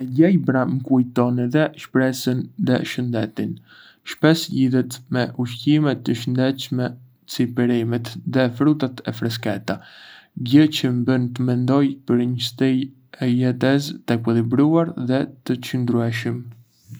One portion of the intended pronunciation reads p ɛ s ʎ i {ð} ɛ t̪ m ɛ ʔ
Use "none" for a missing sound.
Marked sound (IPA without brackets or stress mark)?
ð